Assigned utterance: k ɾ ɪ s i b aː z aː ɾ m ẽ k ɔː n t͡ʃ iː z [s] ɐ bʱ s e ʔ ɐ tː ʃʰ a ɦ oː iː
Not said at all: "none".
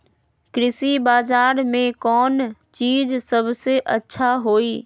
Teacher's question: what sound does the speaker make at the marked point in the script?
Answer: s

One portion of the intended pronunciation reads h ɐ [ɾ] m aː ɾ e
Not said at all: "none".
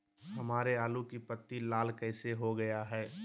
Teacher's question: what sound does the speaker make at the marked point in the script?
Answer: none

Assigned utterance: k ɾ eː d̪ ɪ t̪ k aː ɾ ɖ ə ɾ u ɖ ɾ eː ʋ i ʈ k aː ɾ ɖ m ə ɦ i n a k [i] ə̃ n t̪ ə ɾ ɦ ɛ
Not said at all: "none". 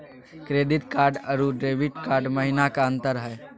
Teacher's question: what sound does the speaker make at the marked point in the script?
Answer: a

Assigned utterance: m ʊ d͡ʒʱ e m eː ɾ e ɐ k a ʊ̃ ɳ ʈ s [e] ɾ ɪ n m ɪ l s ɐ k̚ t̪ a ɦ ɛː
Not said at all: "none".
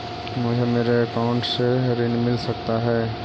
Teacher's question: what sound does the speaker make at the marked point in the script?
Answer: e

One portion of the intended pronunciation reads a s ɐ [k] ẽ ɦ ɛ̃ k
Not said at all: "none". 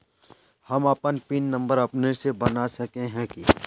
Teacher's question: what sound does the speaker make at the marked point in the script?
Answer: k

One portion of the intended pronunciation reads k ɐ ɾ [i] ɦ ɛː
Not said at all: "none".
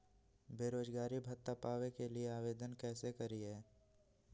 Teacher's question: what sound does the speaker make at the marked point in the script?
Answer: i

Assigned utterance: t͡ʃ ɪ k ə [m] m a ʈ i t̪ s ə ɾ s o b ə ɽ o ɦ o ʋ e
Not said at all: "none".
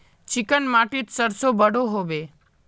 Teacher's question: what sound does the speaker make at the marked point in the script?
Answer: n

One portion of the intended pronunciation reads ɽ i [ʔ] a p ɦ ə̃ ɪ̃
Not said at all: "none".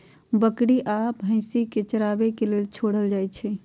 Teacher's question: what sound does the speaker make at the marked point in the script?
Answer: ʔ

